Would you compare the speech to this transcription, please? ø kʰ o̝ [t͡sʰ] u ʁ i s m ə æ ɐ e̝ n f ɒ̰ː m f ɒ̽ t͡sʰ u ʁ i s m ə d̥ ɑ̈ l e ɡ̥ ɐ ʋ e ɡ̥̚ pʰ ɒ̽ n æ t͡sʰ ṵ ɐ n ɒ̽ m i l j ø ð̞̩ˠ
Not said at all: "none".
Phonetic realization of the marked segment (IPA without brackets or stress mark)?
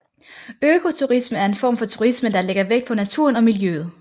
t͡sʰ